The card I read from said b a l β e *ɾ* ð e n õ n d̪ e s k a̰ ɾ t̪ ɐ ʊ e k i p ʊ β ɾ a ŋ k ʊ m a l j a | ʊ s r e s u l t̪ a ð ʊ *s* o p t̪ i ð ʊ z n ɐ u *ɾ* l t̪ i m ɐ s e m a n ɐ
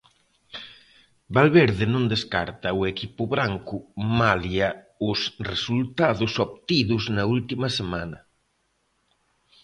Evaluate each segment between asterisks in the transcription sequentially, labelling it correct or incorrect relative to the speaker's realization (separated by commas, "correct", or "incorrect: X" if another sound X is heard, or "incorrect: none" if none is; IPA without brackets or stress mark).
correct, correct, incorrect: none